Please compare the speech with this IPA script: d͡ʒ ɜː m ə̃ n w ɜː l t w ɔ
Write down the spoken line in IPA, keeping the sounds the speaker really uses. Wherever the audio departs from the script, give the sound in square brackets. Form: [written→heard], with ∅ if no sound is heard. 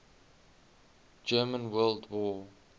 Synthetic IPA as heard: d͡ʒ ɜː m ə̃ n w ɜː l [t→d] w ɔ